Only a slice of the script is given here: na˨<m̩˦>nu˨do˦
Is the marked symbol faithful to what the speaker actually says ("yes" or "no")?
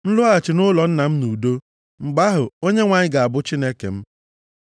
yes